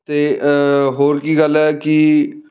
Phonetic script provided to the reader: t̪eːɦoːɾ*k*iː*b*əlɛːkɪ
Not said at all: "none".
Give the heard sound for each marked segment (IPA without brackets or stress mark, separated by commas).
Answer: k, ɡ